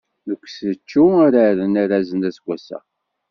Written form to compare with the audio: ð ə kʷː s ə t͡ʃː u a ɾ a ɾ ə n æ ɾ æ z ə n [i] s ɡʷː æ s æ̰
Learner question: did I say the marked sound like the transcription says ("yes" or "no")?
no